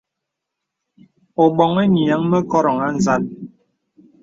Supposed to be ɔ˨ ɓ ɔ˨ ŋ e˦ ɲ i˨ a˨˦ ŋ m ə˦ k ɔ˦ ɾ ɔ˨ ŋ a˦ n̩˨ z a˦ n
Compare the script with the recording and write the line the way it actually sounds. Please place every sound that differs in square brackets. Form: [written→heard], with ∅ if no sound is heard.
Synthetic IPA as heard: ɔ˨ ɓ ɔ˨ ŋ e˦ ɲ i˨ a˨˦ ŋ m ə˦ k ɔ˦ ɾ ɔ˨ ŋ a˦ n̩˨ z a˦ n